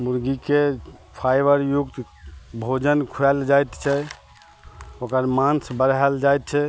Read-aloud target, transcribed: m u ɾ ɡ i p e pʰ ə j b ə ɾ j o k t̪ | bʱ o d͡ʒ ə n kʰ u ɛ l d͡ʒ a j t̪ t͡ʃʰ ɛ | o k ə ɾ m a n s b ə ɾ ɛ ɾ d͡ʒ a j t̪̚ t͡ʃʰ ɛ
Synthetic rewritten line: m u ɾ ɡ i k e pʰ a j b ə ɾ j u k t̪ | bʱ o d͡ʒ ə n kʰ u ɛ l d͡ʒ a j t̪ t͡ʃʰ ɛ | o k ə ɾ m a n s b ə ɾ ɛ l d͡ʒ a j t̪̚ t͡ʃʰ ɛ